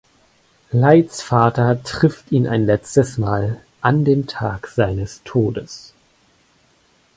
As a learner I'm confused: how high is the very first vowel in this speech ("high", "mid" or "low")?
low